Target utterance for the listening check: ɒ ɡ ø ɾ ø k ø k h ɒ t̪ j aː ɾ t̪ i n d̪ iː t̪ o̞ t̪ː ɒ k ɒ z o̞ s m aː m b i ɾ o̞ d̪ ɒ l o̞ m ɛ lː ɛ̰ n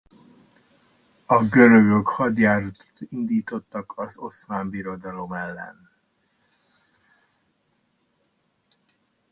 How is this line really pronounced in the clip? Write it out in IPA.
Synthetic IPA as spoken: ɒ ɡ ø ɾ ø ɡ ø k h ɒ d̪ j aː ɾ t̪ i n d̪ iː t̪ o̞ t̪ː ɒ k ɒ z o̞ s m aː m b i ɾ o̞ d̪ ɒ l o̞ m ɛ lː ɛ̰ n